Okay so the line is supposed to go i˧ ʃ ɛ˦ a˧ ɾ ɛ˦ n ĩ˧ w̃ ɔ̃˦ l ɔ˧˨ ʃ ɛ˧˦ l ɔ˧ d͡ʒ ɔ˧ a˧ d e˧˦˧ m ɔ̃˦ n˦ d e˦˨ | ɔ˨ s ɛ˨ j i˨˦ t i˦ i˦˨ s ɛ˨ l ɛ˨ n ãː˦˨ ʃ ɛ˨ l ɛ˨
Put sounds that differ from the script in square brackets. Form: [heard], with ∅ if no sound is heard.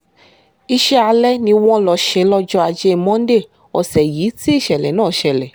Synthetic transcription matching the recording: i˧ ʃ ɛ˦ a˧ [l] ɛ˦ n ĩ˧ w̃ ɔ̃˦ l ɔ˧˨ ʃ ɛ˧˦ l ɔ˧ d͡ʒ ɔ˧ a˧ [d͡ʒ] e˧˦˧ m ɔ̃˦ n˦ d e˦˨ | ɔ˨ s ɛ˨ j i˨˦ t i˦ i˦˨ [ʃ] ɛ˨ l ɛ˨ n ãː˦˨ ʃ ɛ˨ l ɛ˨